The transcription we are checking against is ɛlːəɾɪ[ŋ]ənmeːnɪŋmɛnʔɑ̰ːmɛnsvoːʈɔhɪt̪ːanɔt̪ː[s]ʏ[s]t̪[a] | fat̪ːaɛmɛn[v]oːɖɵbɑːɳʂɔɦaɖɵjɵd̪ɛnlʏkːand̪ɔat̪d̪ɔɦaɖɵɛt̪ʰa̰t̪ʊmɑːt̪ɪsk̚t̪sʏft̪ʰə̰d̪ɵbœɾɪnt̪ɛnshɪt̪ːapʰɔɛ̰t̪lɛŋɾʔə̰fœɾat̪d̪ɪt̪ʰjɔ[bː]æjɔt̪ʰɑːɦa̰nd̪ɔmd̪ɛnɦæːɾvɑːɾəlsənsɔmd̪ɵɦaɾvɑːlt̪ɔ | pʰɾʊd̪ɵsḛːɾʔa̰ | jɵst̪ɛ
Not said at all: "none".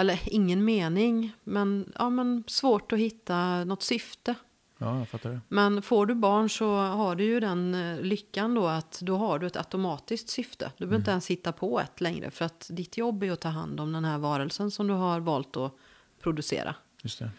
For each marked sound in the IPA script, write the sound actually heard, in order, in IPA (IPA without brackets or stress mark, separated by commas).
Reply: ŋː, s, f, ə, f, bː